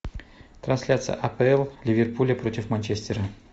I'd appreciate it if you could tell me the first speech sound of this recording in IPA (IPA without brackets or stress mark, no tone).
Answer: t̪